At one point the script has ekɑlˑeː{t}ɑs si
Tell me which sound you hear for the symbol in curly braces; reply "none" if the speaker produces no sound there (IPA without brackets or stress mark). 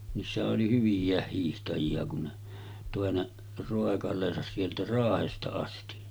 s